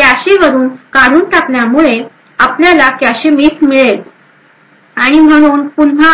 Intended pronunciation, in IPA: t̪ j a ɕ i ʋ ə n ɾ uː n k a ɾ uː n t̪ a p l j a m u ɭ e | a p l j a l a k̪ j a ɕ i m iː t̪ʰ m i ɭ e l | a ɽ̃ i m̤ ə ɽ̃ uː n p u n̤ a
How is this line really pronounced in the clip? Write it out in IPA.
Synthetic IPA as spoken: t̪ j a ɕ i ʋ ə ɾ uː n k a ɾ uː n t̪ a p l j a m u ɭ e | a p l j a l a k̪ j a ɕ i m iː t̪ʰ m i ɭ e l | a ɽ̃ i m̤ ə ɽ̃ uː n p u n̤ a